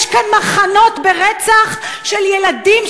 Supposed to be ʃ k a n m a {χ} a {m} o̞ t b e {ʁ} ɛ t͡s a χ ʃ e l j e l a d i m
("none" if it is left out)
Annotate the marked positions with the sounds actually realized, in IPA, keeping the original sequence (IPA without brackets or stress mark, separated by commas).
χ, n, ʁ